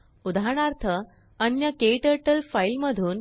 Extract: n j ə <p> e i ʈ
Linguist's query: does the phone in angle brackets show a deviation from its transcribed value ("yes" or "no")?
yes